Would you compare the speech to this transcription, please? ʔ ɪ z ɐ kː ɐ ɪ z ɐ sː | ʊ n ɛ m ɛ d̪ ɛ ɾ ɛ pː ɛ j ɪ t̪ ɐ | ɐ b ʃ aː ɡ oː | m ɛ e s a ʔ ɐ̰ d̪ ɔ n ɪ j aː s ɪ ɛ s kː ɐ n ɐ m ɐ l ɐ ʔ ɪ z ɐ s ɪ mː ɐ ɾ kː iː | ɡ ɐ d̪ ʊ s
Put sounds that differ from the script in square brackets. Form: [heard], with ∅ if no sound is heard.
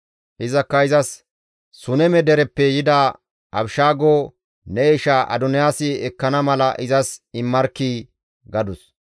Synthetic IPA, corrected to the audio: ʔ ɪ z ɐ kː ɐ ɪ z ɐ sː | ʊ n ɛ m ɛ d̪ ɛ ɾ ɛ pː ɛ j ɪ [d̪] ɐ | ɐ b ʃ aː ɡ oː | [n] ɛ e [ʃ] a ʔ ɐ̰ d̪ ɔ n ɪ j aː s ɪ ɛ [∅] kː ɐ n ɐ m ɐ l ɐ ʔ ɪ z ɐ s ɪ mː ɐ ɾ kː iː | ɡ ɐ d̪ ʊ s